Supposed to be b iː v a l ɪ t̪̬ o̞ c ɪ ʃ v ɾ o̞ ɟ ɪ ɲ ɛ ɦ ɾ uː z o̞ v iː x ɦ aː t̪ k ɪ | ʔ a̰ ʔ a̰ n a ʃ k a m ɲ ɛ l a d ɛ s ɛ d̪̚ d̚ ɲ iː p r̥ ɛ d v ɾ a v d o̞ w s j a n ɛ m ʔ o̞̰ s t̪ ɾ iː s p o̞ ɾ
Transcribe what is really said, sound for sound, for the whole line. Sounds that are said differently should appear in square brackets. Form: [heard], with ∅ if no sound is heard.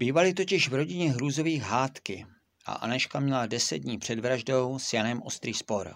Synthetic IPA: b iː v a l ɪ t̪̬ o̞ c ɪ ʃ v ɾ o̞ ɟ ɪ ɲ ɛ ɦ ɾ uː z o̞ v iː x ɦ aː t̪ k ɪ | ʔ a̰ ʔ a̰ n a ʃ k a m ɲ ɛ l a d ɛ s ɛ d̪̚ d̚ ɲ iː p r̥ ɛ d v ɾ a [ʒ] d o̞ w s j a n ɛ m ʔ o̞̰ s t̪ ɾ iː s p o̞ ɾ